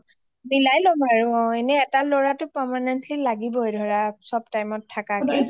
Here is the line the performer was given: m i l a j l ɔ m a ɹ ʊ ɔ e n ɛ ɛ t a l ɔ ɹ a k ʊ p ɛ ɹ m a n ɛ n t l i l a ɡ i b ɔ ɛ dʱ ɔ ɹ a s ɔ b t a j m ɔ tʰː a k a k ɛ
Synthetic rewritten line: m i l a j l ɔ m a ɹ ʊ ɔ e n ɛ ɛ t a l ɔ ɹ a t ʊ p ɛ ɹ m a n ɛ n t l i l a ɡ i b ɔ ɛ dʱ ɔ ɹ a s ɔ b t a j m ɔ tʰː a k a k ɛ

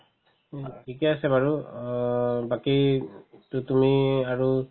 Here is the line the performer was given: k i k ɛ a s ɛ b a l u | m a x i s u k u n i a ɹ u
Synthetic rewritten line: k i k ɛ a s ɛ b a ɹ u | b a k i t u t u m i a ɹ u

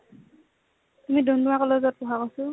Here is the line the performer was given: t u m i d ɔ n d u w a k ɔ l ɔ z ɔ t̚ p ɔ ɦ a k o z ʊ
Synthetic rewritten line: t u m i d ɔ n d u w a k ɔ l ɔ z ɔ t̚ p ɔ ɦ a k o s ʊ

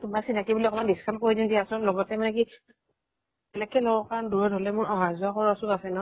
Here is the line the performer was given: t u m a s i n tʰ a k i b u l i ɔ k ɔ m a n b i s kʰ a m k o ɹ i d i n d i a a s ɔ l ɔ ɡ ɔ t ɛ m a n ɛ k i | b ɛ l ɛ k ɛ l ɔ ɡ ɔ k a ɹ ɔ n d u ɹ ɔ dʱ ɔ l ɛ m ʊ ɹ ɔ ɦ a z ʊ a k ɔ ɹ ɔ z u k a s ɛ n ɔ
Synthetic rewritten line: t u m a s i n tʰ a k i b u l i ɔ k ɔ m a n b i s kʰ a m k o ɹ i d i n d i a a s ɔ l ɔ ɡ ɔ t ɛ m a n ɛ k i | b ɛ l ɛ k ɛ l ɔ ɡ ɔ k a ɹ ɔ n d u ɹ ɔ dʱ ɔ l ɛ m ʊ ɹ ɔ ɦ a z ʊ a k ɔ ɹ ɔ s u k a s ɛ n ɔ

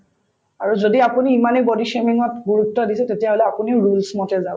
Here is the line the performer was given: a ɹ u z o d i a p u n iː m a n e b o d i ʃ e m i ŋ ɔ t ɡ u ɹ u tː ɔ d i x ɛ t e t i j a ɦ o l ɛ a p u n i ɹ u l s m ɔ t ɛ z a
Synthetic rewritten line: a ɹ u z o d i a p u n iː m a n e b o d i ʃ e m i ŋ ɔ t ɡ u ɹ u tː ɔ d i s ɛ t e t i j a ɦ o l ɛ a p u n i ɹ u l s m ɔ t ɛ z a

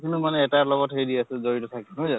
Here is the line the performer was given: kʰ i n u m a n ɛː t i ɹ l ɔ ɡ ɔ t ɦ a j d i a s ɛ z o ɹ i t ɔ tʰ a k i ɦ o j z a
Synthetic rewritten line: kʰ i n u m a n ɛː t a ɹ l ɔ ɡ ɔ t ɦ e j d i a s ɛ z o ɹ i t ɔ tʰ a k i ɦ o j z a

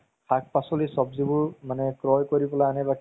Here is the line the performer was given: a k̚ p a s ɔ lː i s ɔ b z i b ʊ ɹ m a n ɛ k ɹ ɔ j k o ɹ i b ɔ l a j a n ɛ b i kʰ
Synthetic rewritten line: a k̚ p a s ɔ l i s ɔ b z i b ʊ ɹ m a n ɛ k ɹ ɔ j k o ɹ i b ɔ l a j a n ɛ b a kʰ

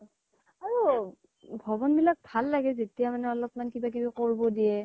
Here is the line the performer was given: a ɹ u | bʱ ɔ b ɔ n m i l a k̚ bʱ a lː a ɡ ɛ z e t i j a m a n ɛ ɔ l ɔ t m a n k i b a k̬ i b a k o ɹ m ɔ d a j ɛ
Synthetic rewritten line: a ɹ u | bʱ ɔ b ɔ n b i l a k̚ bʱ a lː a ɡ ɛ z e t i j a m a n ɛ ɔ l ɔ p m a n k i b a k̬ i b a k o ɹ b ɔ d i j ɛ

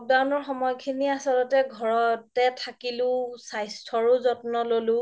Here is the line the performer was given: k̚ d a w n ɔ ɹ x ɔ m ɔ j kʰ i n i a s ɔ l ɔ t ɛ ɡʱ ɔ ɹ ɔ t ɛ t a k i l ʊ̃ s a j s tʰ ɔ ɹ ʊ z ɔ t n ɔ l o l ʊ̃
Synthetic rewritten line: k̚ d a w n ɔ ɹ x ɔ m ɔ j kʰ i n i a s ɔ l ɔ t ɛ ɡʱ ɔ ɹ ɔ t ɛ tʰ a k i l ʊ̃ s a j s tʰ ɔ ɹ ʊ z ɔ t n ɔ l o l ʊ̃

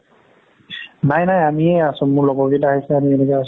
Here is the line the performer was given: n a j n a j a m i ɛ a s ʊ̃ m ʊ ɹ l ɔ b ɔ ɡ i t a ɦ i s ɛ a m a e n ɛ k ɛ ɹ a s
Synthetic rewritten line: n a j n a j a m i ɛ a s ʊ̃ m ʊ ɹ l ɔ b ɔ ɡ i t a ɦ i s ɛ a m i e n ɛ k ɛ a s

